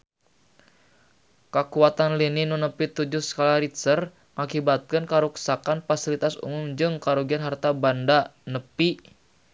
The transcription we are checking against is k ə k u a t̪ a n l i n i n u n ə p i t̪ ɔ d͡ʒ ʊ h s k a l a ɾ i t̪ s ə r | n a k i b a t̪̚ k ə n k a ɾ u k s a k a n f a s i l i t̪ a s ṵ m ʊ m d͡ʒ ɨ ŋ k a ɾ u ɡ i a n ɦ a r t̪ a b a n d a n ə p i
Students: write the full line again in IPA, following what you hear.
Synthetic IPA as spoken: k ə k u a t̪ a n l i n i n u n ə p i t̪ u d͡ʒ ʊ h s k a l a ɾ i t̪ s ə r | ŋ a k i b a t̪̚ k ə n k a ɾ u k s a k a n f a s i l i t̪ a s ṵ m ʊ m d͡ʒ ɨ ŋ k a ɾ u ɡ i a n ɦ a r t̪ a b a n d a n ə p i